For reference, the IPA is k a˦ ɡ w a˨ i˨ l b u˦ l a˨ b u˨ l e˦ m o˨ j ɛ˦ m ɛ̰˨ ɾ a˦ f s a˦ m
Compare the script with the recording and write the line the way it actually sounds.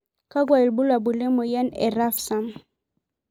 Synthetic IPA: k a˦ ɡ w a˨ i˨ l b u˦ l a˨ b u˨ l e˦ m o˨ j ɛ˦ n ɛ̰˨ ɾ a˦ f s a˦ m